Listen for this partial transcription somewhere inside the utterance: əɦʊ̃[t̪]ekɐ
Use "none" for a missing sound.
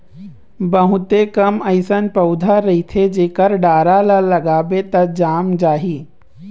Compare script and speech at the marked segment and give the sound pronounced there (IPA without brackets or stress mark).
t̪